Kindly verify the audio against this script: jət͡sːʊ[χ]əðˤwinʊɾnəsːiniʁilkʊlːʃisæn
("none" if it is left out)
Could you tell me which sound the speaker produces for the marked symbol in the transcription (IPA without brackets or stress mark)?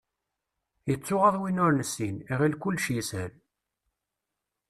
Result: ʁ